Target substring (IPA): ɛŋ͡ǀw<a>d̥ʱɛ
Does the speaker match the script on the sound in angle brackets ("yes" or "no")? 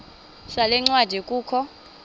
yes